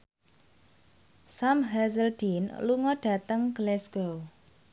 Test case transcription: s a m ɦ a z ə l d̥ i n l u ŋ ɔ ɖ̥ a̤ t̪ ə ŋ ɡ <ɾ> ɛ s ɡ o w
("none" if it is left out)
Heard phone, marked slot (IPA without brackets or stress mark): l